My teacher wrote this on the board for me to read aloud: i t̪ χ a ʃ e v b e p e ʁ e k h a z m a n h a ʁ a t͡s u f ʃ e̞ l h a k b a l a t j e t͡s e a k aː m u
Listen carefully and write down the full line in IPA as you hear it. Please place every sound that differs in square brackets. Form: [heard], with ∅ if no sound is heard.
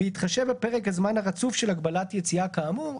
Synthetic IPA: i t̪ χ a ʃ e v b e p e ʁ e k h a z m a n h a ʁ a t͡s u f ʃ e̞ l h a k b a l a t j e t͡s [i] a k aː m u